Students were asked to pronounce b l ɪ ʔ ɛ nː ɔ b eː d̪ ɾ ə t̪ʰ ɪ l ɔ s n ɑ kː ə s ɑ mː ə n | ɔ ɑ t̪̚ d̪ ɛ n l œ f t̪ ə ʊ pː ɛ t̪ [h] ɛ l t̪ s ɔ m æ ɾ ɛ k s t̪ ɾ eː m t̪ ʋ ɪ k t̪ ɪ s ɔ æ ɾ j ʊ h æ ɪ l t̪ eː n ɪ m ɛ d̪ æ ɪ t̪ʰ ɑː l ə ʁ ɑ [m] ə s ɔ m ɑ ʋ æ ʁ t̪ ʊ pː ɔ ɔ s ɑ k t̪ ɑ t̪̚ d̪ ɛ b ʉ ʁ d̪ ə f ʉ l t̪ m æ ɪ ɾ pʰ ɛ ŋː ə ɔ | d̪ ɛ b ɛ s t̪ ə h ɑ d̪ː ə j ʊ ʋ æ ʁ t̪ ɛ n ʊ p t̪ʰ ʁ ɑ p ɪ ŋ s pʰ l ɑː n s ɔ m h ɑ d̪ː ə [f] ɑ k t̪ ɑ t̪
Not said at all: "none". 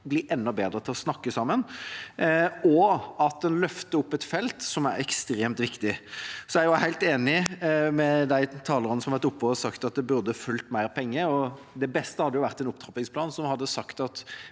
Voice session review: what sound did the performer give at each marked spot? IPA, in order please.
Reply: f, n, s

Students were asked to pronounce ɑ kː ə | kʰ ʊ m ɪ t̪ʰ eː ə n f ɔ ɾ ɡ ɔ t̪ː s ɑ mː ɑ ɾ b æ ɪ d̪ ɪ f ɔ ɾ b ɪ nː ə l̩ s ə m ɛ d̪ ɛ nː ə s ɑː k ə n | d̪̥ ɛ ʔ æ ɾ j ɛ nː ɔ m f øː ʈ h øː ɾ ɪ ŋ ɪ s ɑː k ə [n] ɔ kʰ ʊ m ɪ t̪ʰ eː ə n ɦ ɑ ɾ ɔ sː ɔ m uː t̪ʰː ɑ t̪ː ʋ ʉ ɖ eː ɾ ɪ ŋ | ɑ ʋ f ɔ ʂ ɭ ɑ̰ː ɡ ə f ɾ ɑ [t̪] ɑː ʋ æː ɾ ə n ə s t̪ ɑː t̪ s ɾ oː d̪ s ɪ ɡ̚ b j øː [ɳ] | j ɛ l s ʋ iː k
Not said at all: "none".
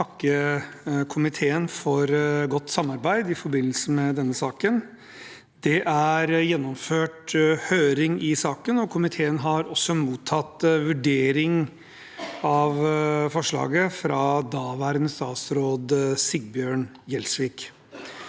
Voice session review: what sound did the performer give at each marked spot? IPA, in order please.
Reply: n, d̪, ɳ

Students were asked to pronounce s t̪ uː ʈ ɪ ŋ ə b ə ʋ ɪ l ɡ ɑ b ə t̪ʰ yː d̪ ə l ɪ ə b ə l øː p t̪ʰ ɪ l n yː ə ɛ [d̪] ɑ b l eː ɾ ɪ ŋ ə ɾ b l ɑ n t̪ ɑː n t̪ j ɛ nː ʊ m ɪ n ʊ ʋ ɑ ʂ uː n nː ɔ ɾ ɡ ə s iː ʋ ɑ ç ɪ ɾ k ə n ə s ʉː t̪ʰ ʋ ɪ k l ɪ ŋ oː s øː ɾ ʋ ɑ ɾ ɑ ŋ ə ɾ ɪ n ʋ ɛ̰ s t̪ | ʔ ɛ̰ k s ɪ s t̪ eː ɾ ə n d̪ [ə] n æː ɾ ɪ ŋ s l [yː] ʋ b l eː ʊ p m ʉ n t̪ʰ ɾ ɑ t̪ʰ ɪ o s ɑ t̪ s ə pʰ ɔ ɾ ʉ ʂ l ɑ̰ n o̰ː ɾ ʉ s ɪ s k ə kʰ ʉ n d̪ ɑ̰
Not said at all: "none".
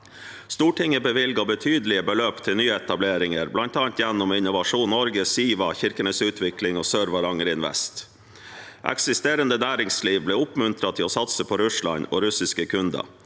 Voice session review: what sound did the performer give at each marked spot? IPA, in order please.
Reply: t̪, ə, iː

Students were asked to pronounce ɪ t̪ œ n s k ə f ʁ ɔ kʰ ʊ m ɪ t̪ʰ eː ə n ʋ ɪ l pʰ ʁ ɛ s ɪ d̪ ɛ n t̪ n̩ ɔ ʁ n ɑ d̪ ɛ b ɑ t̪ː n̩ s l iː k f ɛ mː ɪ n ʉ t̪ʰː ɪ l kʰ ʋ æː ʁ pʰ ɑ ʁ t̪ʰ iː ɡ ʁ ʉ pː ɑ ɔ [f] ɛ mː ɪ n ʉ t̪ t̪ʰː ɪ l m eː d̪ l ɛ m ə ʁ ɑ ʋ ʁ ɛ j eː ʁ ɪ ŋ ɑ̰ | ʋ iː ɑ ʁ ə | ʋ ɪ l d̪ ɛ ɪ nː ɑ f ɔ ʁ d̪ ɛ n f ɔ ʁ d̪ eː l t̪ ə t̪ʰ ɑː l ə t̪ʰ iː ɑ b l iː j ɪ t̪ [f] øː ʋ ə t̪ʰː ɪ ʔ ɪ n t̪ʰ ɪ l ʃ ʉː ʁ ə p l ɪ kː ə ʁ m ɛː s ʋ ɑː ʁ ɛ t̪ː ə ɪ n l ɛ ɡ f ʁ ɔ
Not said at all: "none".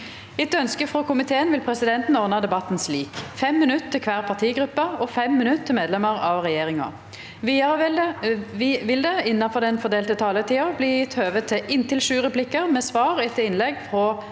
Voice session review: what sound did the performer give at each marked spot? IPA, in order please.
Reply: f, h

